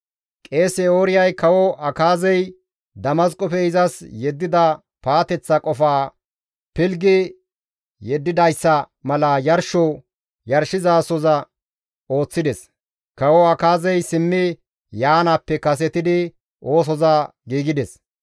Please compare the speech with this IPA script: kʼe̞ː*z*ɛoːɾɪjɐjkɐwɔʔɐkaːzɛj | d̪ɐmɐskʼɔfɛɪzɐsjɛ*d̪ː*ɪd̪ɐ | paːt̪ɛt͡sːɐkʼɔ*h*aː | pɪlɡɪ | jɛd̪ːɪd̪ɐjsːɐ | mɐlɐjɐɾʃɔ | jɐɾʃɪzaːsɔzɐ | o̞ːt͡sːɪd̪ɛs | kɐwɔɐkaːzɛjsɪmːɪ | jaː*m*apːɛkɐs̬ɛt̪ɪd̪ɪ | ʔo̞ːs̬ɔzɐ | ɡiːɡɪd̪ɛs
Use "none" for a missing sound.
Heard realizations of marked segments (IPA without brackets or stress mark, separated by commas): s, d̪ː, f, n